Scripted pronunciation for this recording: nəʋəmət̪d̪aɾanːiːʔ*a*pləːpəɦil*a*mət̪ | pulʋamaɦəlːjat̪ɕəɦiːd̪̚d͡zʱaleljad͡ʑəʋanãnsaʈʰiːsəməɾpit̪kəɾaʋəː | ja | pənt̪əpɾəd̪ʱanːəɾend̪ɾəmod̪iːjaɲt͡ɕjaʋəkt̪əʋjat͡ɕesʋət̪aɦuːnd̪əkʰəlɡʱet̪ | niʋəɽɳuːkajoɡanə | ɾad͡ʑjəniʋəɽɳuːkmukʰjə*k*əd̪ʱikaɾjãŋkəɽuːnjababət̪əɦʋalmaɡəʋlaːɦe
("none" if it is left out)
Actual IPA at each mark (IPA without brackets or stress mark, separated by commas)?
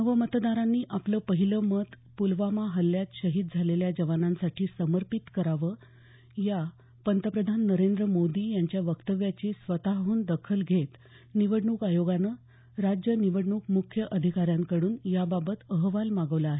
a, ə, ʔ